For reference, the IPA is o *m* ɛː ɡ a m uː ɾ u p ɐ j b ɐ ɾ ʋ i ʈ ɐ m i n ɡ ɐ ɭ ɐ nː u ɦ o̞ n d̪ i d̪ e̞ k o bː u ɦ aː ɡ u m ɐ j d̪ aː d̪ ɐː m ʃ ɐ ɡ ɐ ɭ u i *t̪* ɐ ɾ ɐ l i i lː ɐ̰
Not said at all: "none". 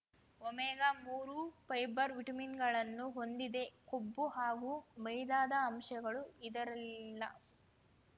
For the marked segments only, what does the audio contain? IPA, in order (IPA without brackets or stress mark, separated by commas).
m, d̪